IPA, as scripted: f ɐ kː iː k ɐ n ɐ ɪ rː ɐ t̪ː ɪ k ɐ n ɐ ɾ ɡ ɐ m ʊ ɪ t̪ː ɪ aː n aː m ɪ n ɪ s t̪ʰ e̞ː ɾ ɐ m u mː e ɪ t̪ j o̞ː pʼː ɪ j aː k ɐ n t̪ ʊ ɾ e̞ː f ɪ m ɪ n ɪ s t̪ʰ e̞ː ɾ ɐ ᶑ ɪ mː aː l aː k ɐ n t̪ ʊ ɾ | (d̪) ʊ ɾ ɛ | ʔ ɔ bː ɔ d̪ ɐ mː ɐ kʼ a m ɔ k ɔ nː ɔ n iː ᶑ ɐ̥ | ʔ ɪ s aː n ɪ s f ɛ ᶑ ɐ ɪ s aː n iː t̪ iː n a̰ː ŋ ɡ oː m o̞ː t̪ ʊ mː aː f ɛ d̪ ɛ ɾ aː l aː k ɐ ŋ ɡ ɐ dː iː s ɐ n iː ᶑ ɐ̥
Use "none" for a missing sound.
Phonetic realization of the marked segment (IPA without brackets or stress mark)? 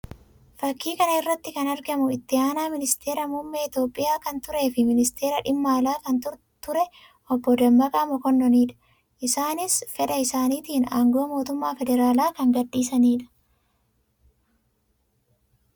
t̪